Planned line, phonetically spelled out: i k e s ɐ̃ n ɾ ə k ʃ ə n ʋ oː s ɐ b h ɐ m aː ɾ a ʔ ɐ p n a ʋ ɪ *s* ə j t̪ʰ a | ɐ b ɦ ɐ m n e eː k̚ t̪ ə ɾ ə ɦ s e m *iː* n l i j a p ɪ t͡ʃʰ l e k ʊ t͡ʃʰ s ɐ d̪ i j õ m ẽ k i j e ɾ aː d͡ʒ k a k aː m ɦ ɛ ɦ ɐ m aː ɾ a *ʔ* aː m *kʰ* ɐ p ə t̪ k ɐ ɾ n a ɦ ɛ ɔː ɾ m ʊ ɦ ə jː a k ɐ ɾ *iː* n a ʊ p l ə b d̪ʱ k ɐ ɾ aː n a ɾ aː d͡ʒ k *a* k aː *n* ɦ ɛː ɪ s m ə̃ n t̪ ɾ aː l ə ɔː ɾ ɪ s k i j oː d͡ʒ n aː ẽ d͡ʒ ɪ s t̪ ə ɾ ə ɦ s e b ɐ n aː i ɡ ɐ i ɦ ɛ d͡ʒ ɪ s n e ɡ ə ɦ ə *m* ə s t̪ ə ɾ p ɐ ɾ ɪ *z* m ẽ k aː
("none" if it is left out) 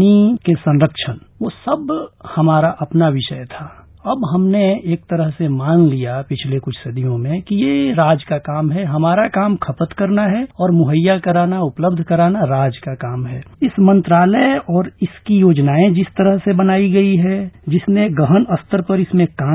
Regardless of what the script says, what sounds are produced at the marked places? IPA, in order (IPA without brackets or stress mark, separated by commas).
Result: ʃ, aː, k, kʰ, aː, a, m, n, s